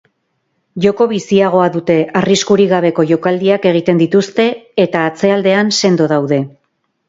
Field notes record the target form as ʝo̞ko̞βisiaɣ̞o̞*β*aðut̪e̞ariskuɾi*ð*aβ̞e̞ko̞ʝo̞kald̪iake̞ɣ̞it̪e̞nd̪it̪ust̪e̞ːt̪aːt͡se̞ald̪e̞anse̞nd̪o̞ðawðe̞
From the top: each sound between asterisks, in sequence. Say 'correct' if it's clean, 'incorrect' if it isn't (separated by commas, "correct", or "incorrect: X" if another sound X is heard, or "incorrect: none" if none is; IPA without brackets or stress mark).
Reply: incorrect: none, incorrect: ɣ